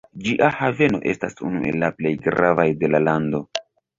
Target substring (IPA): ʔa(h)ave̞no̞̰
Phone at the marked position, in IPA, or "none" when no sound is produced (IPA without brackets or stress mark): h